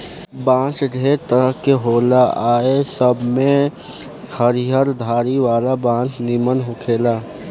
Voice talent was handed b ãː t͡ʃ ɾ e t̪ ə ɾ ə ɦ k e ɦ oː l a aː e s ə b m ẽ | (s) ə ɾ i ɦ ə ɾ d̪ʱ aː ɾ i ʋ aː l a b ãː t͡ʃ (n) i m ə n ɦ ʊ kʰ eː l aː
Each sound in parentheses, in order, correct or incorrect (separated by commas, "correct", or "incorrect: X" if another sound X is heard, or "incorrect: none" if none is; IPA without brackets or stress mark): incorrect: h, correct